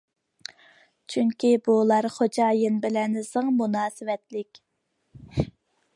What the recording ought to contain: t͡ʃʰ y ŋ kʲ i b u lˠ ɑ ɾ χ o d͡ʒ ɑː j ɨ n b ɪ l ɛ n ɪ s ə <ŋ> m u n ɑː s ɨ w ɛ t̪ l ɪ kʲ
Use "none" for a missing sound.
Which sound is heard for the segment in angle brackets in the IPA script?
ŋ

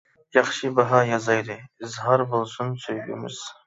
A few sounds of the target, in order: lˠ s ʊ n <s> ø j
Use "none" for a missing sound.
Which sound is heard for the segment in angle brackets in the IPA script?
s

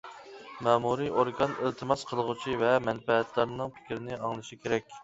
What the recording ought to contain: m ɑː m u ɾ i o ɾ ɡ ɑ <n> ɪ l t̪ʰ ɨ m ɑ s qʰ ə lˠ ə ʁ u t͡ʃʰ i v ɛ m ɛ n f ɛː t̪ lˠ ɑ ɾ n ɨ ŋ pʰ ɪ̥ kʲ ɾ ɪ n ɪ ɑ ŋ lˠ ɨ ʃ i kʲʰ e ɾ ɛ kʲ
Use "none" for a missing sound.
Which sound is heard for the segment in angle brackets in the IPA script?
n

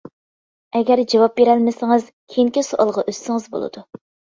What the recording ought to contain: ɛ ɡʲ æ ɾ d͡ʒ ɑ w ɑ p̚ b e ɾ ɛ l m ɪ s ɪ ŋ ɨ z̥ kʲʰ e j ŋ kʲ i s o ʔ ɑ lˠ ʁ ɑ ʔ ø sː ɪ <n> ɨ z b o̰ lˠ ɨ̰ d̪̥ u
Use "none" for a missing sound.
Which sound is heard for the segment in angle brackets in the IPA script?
ŋ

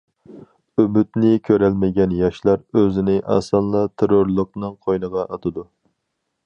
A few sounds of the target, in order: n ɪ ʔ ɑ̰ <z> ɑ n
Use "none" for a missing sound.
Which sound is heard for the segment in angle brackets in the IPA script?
s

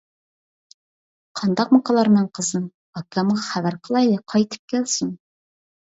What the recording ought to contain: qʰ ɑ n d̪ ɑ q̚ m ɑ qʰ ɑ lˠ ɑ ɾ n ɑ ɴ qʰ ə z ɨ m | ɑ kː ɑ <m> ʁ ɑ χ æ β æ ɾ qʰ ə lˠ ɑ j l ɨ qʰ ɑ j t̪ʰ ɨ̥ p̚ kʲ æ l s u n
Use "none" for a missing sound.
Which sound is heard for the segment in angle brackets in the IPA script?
m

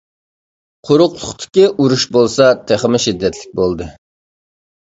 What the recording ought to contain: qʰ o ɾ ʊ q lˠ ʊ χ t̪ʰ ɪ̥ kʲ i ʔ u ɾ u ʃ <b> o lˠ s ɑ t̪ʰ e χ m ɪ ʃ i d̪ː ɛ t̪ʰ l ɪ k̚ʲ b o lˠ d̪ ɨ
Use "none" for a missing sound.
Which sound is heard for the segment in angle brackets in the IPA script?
b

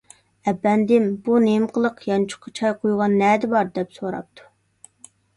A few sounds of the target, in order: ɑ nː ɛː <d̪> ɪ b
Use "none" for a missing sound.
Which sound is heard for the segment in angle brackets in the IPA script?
d̪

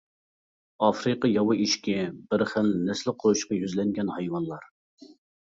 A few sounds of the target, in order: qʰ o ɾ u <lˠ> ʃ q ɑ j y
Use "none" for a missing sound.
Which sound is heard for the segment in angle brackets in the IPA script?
none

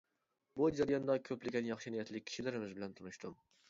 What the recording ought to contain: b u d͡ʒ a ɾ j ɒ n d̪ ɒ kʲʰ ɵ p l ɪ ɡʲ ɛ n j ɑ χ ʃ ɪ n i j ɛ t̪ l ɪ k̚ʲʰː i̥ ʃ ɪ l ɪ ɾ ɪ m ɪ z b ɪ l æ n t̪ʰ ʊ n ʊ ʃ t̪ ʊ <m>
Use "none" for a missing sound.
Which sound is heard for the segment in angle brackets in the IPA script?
m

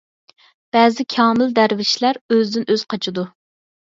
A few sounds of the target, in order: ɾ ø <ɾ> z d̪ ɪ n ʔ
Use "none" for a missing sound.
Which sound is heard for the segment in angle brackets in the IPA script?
none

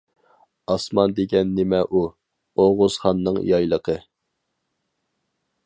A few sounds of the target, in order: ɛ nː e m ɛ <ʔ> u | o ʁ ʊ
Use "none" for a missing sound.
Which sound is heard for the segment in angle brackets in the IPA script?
ʔ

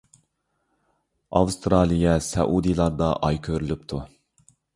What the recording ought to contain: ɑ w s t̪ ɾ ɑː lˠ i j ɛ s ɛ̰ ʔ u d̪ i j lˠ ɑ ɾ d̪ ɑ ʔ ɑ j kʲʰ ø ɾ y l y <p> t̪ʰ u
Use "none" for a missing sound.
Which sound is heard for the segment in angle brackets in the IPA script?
p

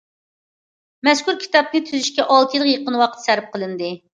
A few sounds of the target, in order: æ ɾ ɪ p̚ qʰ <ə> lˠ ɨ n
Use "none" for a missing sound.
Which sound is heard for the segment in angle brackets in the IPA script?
ə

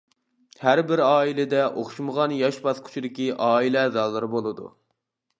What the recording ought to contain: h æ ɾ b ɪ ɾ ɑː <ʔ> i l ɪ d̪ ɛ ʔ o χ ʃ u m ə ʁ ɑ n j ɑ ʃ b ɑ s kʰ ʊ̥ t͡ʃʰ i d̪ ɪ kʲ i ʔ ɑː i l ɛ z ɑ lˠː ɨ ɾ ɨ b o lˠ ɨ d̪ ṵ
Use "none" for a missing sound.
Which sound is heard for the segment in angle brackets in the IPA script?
none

